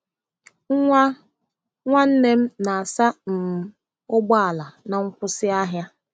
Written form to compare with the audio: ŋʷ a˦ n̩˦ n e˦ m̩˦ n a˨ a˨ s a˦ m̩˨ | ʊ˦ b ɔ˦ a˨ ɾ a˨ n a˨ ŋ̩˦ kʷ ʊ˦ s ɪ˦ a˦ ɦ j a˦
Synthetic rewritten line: ŋʷ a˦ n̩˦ n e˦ m̩˦ n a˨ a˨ s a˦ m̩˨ | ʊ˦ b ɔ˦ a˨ l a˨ n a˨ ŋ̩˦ kʷ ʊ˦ s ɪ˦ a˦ ɦ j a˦